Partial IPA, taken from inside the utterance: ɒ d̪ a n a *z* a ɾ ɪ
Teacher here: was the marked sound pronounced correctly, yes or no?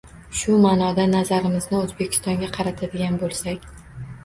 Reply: yes